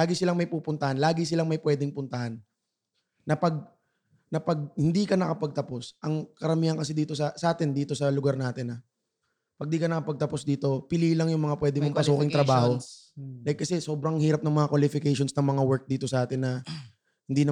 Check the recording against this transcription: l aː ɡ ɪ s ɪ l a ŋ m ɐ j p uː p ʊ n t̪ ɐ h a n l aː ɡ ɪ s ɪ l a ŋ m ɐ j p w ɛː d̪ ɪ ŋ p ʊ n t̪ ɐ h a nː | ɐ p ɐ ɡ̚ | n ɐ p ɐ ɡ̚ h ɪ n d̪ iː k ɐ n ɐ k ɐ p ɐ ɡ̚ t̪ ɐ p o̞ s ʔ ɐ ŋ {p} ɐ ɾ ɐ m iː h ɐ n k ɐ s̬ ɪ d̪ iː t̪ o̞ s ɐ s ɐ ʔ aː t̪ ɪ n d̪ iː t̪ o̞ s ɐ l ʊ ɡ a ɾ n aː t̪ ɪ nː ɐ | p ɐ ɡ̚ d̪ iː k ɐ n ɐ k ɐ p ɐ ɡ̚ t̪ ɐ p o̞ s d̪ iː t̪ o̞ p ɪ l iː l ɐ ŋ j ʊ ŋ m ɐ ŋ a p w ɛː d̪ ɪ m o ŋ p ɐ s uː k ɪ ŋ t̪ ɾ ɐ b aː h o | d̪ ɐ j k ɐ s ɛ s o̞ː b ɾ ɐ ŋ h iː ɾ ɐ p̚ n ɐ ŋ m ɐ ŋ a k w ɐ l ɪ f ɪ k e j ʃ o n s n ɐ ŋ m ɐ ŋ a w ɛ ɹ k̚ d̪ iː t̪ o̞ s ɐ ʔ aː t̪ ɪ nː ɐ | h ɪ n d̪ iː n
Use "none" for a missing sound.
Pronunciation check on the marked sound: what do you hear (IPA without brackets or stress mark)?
k